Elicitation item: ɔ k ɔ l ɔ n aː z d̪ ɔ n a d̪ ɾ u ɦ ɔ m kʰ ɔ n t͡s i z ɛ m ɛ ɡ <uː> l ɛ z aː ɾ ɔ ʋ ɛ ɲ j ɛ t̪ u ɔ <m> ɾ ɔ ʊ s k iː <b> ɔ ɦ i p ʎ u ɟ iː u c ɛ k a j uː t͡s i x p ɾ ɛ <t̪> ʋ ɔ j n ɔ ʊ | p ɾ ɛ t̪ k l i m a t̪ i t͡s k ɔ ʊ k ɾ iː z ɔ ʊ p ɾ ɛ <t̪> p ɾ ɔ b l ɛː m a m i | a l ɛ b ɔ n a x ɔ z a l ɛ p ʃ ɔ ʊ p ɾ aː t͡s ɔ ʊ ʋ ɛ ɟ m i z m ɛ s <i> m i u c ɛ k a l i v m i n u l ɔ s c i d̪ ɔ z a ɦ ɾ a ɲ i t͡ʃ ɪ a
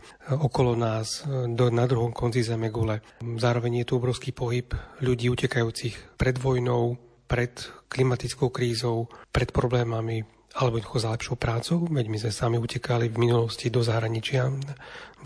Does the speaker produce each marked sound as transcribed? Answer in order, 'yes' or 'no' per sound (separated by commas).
no, no, no, no, yes, no